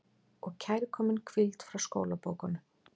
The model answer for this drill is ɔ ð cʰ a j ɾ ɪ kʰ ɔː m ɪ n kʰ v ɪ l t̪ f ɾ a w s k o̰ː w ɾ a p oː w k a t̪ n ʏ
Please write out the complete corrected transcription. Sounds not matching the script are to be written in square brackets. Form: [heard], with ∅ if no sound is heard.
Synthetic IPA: ɔ [ɣ] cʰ a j ɾ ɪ kʰ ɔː m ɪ n kʰ v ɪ l t̪ f ɾ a w s k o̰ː w [l] a p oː w k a [∅] n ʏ